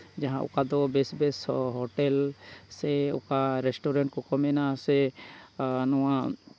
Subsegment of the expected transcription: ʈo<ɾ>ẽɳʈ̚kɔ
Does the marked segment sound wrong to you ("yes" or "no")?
no